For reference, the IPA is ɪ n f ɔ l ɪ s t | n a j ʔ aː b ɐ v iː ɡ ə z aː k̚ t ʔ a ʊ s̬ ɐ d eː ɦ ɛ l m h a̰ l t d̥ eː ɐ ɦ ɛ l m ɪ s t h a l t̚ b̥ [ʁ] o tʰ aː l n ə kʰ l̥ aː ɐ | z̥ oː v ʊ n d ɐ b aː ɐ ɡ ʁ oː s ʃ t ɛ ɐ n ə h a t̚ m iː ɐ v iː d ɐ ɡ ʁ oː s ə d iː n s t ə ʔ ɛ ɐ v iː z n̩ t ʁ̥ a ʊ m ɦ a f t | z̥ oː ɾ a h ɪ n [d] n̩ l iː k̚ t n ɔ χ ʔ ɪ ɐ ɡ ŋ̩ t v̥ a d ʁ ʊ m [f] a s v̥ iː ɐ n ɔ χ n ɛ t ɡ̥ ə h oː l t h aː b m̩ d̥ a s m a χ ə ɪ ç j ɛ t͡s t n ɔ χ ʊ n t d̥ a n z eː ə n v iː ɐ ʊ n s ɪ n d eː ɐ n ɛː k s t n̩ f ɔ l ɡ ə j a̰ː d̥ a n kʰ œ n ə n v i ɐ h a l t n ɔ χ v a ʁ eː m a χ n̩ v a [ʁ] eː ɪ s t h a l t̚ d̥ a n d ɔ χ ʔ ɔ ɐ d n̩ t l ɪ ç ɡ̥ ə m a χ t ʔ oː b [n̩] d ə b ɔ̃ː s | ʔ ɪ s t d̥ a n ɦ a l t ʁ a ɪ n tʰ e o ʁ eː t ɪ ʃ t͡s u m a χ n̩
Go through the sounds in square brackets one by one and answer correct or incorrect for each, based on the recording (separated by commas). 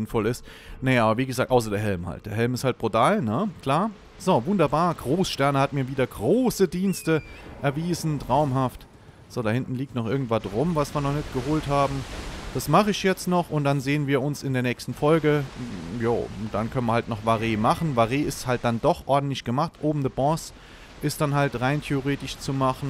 correct, incorrect, incorrect, correct, incorrect